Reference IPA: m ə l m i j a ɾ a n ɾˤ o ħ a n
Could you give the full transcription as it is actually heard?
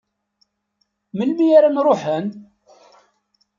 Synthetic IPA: m ə l m i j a ɾ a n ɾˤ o ħ ə n